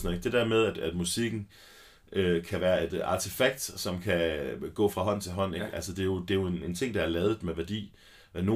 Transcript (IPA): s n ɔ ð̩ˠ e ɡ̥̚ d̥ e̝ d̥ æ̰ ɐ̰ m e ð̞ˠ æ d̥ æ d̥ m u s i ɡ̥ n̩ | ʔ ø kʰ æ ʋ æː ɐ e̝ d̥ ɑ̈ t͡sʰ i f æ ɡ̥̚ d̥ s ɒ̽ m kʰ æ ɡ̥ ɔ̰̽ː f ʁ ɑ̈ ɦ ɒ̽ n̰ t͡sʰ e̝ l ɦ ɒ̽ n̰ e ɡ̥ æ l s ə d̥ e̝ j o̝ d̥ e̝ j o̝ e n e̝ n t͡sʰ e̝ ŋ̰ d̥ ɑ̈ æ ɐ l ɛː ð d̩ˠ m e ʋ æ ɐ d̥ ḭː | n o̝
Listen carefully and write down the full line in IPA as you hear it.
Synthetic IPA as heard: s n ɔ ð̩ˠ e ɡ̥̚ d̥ e̝ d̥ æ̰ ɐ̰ m e ð̞ˠ æ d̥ æ d̥ m u s i ɡ̥ n̩ | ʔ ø kʰ æ ʋ æː ɐ e̝ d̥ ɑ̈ t͡sʰ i f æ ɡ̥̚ d̥ s ɒ̽ m kʰ æ ɡ̥ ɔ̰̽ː f ʁ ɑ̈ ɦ ɒ̽ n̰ t͡sʰ e̝ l ɦ ɒ̽ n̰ e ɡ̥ æ l s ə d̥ e̝ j o̝ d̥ e̝ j o̝ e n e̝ n t͡sʰ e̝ ŋ̰ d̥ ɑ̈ æ ɐ l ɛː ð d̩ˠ m e ʋ æ ɐ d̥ ḭː | n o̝